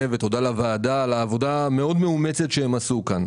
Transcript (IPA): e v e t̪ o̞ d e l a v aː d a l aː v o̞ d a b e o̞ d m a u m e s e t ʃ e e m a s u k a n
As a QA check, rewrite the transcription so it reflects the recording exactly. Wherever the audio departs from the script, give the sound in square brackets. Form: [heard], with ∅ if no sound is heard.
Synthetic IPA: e v e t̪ o̞ d [a] l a v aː d a l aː v o̞ d a [m] e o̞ d m [e] u m e [t͡s] e t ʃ e e m a s u k a n